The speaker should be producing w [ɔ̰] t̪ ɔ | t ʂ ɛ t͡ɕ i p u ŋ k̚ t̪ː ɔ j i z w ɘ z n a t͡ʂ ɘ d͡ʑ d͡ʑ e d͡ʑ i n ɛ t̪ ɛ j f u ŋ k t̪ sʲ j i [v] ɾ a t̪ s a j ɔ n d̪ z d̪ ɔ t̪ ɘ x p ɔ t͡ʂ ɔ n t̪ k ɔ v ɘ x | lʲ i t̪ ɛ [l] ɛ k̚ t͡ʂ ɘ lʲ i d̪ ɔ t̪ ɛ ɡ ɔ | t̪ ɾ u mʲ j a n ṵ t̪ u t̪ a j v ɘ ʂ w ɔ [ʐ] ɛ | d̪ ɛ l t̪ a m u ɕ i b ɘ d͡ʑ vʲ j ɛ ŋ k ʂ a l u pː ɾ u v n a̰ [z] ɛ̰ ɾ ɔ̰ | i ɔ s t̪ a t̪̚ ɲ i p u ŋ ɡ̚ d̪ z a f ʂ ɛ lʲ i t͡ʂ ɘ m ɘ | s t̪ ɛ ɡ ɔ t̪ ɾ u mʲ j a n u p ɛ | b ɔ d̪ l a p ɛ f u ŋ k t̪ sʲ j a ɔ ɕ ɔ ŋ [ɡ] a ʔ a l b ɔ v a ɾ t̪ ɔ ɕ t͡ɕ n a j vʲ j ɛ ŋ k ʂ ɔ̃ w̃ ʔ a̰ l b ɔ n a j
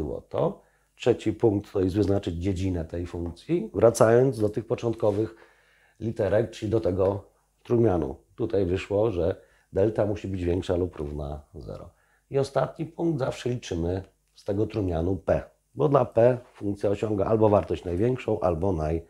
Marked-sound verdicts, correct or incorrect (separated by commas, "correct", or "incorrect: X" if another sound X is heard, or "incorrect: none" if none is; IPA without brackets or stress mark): correct, correct, incorrect: ɾ, correct, correct, correct